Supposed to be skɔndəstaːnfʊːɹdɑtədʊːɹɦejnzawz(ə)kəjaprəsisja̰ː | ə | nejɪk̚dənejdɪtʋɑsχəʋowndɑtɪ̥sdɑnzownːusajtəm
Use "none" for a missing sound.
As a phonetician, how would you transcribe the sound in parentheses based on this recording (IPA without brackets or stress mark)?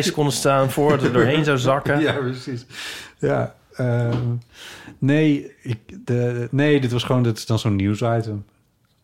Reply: ɑ